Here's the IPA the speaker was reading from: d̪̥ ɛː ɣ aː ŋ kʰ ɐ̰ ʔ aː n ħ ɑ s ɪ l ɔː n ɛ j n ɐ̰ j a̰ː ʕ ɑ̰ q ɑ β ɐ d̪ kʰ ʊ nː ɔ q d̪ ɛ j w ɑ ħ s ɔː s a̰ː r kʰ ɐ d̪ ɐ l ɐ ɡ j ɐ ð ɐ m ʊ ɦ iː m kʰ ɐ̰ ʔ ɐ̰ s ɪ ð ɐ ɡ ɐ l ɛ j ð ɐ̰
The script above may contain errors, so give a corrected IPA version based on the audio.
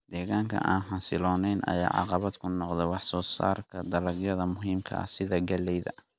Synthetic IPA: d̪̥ ɛː ɣ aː ŋ kʰ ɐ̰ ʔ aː n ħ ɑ s ɪ l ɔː n ɛ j n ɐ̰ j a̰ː ʕ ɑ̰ q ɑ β ɐ d̪ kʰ ʊ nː ɔ q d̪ ɛ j w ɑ ħ s ɔː s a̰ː r kʰ ɐ d̪ ɐ l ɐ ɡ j ɐ ð ɐ m ʊ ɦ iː m kʰ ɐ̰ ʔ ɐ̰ s ɪ ð ɐ ɡ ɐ l ɛ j ð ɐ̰

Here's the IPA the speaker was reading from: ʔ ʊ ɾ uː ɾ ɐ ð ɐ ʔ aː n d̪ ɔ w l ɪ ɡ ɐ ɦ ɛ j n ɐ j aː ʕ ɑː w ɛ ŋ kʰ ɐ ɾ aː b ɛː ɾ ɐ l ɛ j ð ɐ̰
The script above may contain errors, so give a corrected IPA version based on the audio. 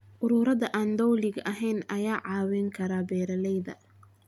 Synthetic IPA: ʔ ʊ ɾ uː ɾ ɐ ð ɐ ʔ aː n d̪ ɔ w l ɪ ɡ ɐ ɦ ɛ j n ɐ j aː ʕ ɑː w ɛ ŋ kʰ ɐ ɾ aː b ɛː ɾ ɐ l ɛ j ð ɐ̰

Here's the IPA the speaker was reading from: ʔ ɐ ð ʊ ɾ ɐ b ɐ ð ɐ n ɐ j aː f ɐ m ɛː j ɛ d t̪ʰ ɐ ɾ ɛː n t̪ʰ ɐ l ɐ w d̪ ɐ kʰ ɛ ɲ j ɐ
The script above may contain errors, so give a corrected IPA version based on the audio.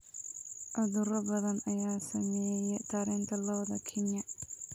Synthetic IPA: ʔ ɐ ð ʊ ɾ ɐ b ɐ ð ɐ n ɐ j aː s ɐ m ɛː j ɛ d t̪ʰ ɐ ɾ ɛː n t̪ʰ ɐ l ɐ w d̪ ɐ kʰ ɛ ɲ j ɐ

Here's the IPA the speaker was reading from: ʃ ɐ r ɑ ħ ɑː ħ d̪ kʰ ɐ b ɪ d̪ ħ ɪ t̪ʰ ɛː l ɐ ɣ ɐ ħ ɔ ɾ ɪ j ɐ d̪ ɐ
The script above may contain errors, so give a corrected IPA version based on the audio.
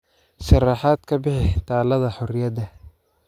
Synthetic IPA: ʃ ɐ r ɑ ħ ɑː d̪ kʰ ɐ b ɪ ħ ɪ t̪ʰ aː l ɐ ð ɐ ħ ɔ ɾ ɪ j ɐ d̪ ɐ

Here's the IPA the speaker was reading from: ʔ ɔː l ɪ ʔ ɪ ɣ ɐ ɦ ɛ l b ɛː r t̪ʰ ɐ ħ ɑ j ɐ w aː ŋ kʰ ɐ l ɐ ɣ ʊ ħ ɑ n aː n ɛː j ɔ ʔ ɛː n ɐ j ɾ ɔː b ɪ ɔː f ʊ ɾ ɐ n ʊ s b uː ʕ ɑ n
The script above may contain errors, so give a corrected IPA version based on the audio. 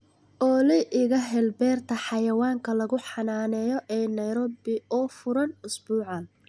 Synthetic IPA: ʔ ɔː l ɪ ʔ ɪ ɣ ɐ ɦ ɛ l b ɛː r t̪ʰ ɐ ħ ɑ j ɐ w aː ŋ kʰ ɐ l ɐ ɣ ʊ ħ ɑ n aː n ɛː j ɔ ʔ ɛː n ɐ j ɾ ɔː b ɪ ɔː f ʊ ɾ ɐ n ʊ s b uː ʕ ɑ n

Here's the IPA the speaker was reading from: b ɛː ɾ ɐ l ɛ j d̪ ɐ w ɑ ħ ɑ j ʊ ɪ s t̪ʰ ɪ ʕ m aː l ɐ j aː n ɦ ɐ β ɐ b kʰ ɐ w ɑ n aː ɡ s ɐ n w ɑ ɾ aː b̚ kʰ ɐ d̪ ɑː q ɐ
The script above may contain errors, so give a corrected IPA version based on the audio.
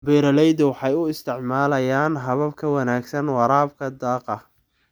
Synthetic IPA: b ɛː ɾ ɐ l ɛ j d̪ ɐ w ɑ ħ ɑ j ʊ ɪ s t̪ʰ ɪ ʕ m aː l ɐ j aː n ɦ ɐ β ɐ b kʰ ɐ w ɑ n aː ɡ s ɐ n w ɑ ɾ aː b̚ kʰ ɐ d̪ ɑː q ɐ

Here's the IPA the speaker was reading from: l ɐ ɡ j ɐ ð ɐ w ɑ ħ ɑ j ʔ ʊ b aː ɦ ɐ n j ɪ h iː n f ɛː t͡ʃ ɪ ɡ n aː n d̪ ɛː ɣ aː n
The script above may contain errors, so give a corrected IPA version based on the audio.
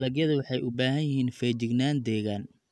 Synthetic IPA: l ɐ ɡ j ɐ ð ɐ w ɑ ħ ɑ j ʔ ʊ b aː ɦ ɐ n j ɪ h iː n f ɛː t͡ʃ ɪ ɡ n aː n d̪ ɛː ɣ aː n

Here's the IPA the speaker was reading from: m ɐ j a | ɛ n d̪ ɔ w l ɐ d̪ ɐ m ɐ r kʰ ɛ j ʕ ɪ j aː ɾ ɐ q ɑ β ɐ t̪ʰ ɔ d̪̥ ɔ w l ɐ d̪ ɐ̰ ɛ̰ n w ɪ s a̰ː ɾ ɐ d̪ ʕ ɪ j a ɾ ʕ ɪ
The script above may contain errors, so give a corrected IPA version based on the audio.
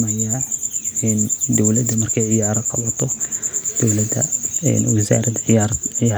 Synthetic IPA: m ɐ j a | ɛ n d̪ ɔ w l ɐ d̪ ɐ m ɐ r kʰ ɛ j ʕ ɪ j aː ɾ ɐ q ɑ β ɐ t̪ʰ ɔ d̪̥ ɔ w l ɐ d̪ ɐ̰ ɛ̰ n w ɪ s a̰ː ɾ ɐ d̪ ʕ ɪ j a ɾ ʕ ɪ

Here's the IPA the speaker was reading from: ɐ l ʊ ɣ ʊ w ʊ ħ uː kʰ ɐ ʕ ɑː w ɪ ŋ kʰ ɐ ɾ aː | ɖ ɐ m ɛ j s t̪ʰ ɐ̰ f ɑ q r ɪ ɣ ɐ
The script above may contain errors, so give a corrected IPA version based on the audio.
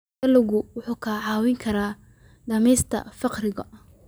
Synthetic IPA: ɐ l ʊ ɣ ʊ w ʊ ħ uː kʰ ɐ ʕ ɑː w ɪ ŋ kʰ ɐ ɾ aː | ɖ ɐ m ɛ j s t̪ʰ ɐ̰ f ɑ q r ɪ ɣ ɐ

